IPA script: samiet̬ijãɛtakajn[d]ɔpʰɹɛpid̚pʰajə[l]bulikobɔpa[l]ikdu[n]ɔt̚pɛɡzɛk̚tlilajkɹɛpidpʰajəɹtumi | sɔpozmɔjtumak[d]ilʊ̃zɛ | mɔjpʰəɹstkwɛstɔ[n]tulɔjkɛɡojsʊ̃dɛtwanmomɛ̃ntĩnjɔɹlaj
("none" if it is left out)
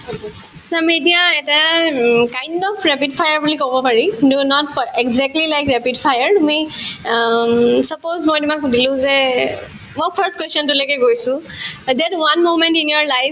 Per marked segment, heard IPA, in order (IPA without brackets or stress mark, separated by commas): d, ɹ, ɹ, n, d, n